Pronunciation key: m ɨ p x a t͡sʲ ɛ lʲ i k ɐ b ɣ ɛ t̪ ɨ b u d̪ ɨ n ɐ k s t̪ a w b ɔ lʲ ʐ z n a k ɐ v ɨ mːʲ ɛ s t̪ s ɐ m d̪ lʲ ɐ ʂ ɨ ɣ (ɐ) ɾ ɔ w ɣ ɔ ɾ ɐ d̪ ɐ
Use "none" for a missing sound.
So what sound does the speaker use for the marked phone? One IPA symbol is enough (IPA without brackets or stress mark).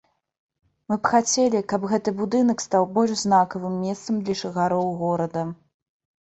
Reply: a